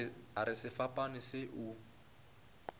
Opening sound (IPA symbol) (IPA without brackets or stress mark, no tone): a